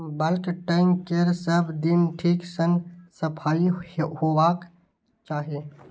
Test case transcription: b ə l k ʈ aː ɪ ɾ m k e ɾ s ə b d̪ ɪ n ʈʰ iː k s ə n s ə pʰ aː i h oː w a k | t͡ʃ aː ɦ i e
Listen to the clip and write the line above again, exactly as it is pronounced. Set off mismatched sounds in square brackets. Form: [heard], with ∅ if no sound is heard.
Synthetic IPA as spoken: b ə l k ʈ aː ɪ [∅] m k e ɾ s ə b d̪ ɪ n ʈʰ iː k s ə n s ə pʰ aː i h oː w a k | t͡ʃ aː ɦ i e